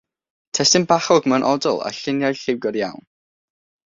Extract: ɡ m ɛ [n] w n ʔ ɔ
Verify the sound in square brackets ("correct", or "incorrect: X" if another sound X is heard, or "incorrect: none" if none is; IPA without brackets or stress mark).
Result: incorrect: none